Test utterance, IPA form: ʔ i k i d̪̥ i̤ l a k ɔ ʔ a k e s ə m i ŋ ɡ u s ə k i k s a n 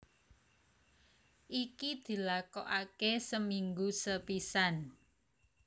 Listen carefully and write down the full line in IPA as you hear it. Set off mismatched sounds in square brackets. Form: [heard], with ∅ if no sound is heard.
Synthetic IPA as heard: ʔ i k i d̪̥ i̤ l a k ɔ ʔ a k e s ə m i ŋ ɡ u s ə [p] i [∅] s a n